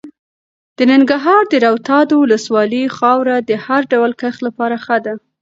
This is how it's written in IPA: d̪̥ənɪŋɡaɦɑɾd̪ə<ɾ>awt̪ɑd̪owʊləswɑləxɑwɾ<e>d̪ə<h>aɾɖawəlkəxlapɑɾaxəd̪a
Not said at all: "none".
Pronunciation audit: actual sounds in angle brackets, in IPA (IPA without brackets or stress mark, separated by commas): ɾ, a, h